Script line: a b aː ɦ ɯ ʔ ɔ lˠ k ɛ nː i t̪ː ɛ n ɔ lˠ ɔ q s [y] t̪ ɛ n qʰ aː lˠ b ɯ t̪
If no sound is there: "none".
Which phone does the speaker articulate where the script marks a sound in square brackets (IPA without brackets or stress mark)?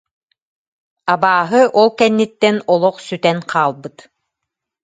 y